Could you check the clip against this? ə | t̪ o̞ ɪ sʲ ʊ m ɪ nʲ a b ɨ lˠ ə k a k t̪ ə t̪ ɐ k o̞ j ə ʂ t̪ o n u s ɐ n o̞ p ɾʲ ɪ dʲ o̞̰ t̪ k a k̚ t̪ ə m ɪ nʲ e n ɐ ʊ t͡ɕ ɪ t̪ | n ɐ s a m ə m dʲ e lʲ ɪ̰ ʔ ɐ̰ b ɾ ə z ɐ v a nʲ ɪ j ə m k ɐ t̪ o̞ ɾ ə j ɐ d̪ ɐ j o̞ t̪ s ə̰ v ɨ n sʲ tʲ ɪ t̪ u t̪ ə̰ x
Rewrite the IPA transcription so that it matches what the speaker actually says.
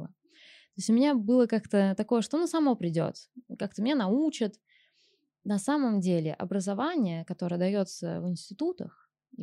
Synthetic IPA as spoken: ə | t̪ o̞ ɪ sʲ ʊ m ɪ nʲ a b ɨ lˠ ə k a k t̪ ə t̪ ɐ k o̞ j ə ʂ t̪ o n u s ɐ m o̞ p ɾʲ ɪ dʲ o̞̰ t̪ k a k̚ t̪ ə m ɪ nʲ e n ɐ u t͡ɕ ɪ t̪ | n ɐ s a m ə m dʲ e lʲ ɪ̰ ʔ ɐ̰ b ɾ ə z ɐ v a nʲ ɪ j ə k ɐ t̪ o̞ ɾ ə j ə d̪ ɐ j o̞ t̪ s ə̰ v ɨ n sʲ tʲ ɪ t̪ u t̪ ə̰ x